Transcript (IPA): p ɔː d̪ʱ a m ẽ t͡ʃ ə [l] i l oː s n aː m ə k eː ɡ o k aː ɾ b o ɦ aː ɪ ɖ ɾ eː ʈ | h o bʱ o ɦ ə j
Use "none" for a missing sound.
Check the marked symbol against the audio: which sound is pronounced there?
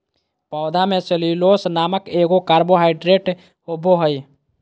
l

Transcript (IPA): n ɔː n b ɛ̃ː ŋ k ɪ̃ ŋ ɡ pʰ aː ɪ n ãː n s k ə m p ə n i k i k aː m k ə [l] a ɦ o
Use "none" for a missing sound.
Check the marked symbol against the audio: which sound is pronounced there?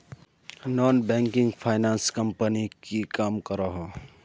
ɾ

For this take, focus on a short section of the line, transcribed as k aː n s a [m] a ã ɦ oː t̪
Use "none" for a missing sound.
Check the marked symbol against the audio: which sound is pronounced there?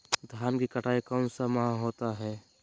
m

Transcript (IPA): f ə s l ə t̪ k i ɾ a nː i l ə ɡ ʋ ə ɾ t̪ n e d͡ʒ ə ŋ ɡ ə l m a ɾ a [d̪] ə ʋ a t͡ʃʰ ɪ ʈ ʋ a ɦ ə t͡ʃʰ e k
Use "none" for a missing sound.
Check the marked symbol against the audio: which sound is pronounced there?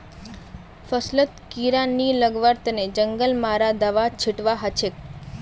d̪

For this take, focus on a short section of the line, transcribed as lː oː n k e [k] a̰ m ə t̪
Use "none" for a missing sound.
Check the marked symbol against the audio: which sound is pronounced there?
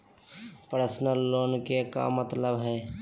k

